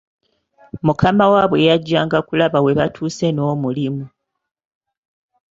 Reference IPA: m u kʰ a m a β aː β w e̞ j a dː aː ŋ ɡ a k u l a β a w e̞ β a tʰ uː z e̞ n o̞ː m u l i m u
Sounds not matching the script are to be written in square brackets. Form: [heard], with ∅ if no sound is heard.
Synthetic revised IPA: m u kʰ a m a [w] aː β w e̞ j a [ɟː] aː ŋ ɡ a k u l a β a w e̞ β a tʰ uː [s] e̞ n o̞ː m u l i m u